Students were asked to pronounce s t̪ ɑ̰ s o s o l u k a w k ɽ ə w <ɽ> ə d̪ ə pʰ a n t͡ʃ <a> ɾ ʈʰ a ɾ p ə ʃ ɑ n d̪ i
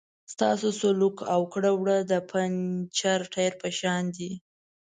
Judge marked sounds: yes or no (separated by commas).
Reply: yes, yes